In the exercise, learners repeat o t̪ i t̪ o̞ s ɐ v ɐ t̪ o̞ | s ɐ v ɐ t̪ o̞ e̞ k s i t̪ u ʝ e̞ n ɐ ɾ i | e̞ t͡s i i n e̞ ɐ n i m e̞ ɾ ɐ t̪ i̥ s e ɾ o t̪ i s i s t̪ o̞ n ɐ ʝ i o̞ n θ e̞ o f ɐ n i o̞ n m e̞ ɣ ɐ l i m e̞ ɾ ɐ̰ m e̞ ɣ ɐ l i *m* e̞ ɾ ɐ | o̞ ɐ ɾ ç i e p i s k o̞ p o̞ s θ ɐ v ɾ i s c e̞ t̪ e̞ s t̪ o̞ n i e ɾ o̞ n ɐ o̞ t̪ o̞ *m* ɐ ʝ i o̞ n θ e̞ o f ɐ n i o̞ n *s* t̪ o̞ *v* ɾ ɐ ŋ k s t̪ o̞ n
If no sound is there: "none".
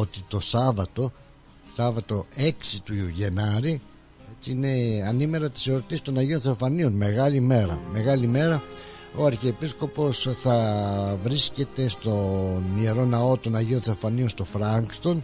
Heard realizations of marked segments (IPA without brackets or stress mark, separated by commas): m, n, s, f